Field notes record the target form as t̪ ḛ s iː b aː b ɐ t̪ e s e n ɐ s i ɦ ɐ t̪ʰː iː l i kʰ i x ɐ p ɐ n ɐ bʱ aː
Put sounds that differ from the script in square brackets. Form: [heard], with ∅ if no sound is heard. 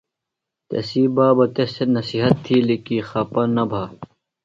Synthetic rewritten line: t̪ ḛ s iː b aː b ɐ t̪ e s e n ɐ s i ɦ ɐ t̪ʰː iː l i [k] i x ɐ p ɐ n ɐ bʱ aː